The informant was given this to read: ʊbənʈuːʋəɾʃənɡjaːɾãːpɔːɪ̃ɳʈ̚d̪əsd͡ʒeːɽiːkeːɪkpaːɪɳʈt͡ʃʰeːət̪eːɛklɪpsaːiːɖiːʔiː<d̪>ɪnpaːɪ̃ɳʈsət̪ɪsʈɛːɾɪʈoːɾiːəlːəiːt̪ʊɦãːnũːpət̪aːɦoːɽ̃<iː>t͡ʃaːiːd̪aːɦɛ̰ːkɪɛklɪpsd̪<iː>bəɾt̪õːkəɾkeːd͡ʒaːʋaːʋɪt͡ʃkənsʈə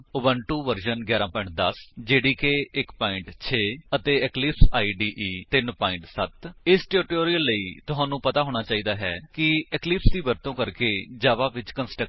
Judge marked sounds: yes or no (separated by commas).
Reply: no, no, yes